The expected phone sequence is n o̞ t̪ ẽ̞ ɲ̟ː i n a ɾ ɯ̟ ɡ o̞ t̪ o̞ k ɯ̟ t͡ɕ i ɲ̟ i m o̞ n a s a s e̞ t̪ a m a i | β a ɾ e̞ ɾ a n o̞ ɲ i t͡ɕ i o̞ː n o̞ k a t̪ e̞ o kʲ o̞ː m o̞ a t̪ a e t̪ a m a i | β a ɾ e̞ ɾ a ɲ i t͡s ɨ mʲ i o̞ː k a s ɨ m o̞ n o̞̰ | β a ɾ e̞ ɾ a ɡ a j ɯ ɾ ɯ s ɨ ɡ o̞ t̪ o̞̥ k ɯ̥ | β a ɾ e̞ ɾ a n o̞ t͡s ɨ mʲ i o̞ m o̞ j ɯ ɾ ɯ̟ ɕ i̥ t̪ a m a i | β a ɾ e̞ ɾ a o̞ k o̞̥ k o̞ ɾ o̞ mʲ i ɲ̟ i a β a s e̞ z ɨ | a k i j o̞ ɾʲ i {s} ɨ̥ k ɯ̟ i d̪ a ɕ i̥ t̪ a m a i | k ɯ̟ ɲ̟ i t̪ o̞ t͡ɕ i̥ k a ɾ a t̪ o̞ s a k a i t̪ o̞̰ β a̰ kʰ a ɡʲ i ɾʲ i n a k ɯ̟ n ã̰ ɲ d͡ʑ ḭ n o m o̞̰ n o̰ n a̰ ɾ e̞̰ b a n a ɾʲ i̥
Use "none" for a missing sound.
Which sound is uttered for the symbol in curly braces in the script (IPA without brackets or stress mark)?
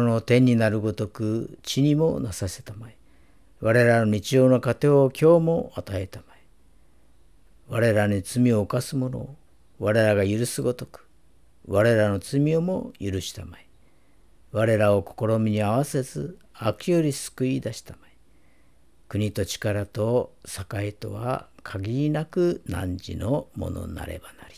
s